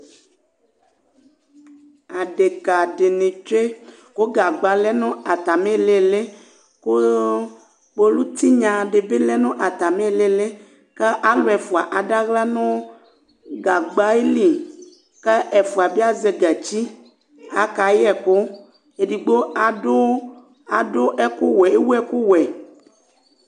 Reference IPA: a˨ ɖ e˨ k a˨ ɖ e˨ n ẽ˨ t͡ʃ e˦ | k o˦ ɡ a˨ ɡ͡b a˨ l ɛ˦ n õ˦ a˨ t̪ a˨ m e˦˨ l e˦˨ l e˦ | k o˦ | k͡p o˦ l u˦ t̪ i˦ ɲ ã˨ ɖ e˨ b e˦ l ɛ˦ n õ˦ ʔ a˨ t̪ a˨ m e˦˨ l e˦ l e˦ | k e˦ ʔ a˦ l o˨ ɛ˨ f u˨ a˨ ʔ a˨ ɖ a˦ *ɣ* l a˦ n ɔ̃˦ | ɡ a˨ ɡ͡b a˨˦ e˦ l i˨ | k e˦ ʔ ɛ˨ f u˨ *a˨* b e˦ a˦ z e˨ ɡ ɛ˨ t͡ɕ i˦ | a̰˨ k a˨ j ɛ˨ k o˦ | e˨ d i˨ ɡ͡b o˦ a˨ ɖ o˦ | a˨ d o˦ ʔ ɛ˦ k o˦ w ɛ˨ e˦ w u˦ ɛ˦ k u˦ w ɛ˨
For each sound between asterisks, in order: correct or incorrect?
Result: correct, correct

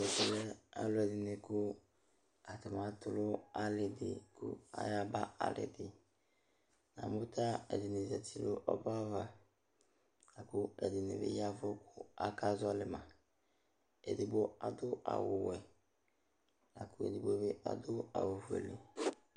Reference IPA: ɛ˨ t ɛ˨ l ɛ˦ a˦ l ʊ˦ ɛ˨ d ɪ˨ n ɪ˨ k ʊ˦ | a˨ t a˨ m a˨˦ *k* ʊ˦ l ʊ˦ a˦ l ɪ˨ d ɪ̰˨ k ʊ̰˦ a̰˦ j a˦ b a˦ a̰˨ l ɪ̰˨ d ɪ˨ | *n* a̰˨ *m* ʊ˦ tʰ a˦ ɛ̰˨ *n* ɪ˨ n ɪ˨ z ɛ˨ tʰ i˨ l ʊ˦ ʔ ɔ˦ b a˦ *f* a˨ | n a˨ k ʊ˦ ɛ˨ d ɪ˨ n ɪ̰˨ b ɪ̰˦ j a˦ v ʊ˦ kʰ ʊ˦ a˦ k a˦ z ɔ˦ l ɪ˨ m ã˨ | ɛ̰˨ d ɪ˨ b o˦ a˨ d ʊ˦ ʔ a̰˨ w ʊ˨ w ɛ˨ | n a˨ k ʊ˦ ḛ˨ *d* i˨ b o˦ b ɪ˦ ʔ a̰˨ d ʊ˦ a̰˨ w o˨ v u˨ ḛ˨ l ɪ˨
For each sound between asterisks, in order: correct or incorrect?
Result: incorrect, correct, correct, incorrect, incorrect, correct

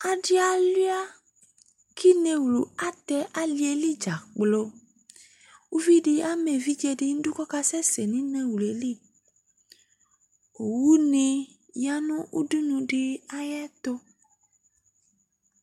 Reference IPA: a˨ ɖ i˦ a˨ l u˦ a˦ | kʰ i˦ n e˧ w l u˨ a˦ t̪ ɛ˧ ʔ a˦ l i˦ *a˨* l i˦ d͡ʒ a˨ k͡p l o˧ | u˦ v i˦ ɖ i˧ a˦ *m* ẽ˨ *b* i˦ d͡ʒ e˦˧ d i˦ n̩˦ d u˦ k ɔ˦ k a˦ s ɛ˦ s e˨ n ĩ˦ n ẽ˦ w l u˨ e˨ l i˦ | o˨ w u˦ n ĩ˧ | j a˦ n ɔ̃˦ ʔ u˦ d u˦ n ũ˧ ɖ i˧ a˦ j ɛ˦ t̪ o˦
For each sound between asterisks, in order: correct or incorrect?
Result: incorrect, correct, incorrect

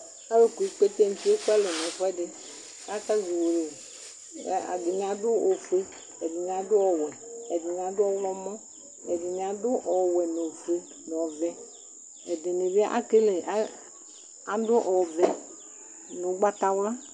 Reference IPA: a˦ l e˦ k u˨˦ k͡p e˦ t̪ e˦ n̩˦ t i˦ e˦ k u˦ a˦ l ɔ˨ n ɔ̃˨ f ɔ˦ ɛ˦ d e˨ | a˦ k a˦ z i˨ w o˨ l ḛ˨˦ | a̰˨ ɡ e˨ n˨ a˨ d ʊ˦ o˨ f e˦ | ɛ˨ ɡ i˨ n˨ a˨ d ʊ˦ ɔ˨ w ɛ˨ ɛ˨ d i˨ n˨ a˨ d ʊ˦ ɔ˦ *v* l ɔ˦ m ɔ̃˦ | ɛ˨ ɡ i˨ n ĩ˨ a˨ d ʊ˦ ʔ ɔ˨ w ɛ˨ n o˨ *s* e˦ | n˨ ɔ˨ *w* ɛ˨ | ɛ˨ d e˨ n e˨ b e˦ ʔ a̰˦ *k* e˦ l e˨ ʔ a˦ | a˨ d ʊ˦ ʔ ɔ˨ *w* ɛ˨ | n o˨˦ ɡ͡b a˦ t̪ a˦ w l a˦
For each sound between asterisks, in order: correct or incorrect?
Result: incorrect, incorrect, incorrect, correct, incorrect

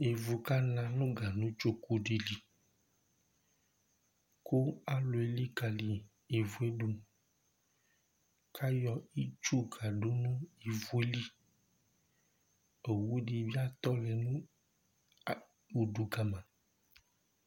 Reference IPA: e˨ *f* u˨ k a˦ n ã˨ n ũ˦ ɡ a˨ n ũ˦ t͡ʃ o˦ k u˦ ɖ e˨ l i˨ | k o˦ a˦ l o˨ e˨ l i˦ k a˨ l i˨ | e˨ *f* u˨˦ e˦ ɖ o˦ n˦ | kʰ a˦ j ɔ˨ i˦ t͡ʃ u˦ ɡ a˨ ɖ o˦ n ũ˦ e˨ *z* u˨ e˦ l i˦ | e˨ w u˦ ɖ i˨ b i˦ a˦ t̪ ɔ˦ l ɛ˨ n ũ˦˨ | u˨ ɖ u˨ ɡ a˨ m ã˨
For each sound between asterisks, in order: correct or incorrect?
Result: incorrect, incorrect, incorrect

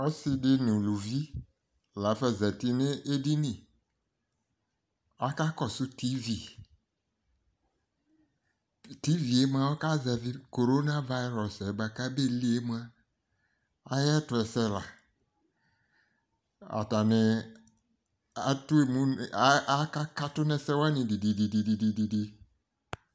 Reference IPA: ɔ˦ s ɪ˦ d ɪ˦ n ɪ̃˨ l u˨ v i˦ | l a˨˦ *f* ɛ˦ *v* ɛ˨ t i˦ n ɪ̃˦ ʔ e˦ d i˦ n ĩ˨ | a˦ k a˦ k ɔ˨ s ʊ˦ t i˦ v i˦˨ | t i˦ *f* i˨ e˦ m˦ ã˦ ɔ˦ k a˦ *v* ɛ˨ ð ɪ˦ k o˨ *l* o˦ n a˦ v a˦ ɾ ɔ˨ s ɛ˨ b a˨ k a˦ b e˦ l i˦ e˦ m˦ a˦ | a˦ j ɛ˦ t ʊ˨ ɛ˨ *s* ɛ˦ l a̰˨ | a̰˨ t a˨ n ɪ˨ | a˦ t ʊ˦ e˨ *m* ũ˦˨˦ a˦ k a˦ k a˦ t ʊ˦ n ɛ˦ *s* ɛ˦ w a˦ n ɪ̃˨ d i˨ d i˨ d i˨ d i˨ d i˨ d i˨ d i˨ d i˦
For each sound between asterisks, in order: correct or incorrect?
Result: correct, incorrect, incorrect, incorrect, incorrect, correct, correct, correct

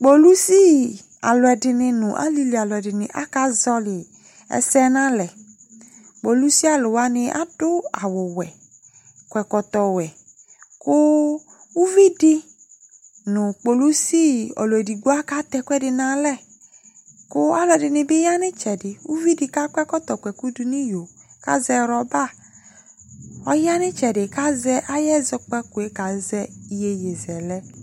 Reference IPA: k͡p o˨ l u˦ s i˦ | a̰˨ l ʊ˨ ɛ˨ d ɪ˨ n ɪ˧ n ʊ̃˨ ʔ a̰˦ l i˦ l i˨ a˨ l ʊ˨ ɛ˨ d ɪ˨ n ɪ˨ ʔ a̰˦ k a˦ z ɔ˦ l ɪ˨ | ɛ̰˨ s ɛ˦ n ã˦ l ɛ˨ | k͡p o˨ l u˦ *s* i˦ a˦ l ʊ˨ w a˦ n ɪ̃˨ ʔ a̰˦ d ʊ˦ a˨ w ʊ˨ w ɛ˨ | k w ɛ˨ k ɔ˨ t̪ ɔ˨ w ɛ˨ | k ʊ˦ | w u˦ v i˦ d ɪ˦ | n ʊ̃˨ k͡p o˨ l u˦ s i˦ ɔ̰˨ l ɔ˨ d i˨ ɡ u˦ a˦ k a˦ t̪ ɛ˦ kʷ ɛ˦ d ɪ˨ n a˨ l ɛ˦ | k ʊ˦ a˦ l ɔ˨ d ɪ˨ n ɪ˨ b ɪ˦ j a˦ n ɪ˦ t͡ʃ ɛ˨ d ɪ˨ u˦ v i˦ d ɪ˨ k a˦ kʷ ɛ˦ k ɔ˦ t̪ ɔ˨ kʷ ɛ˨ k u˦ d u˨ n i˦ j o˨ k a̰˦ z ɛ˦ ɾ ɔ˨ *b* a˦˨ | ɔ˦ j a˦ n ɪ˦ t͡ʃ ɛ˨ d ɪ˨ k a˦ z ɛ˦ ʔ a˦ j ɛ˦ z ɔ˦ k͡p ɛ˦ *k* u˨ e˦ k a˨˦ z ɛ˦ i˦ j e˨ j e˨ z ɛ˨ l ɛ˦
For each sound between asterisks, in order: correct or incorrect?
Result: correct, correct, correct

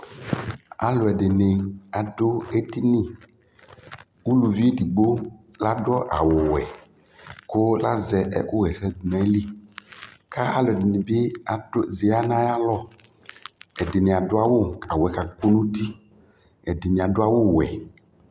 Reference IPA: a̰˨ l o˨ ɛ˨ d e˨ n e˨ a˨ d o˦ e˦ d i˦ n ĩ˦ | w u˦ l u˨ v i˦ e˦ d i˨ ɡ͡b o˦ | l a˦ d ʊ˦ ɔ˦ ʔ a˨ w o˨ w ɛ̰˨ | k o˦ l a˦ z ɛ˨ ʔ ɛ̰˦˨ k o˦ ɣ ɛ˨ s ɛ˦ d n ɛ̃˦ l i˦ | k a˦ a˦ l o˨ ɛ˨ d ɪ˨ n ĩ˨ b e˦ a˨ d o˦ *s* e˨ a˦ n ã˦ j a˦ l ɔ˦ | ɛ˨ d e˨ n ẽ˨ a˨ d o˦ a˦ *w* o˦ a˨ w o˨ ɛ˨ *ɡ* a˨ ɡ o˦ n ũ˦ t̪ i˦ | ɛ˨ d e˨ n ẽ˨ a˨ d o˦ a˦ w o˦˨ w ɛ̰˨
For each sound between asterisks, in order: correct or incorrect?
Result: incorrect, correct, incorrect

